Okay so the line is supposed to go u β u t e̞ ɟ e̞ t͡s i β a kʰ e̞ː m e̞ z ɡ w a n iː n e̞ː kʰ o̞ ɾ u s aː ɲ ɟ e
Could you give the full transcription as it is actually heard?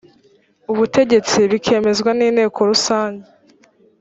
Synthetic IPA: u β u t e̞ ɟ e̞ t͡s i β i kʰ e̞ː m e̞ z ɡ w a n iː n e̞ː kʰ o̞ ɾ u s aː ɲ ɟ e